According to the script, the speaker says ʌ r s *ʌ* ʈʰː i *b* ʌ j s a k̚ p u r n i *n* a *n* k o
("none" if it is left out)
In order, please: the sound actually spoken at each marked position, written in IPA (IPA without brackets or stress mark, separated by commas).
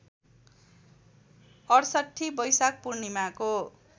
ʌ, b, m, none